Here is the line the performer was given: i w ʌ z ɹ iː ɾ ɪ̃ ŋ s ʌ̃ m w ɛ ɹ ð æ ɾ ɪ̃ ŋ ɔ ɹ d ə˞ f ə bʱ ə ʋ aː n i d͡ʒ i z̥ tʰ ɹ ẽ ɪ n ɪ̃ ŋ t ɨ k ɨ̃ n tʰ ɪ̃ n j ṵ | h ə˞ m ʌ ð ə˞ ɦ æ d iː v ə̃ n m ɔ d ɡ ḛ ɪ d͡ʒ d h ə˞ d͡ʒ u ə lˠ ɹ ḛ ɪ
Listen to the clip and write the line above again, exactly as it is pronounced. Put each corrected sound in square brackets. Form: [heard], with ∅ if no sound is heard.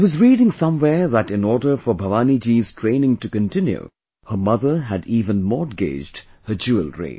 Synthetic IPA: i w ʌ z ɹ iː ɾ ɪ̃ ŋ s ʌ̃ m w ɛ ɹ ð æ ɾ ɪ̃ [n] ɔ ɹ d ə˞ f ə bʱ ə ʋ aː n i d͡ʒ i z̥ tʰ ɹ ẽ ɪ n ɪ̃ ŋ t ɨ k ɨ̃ n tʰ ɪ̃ n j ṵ | h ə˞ m ʌ ð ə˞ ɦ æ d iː v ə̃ n m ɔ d ɡ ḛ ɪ d͡ʒ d h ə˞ d͡ʒ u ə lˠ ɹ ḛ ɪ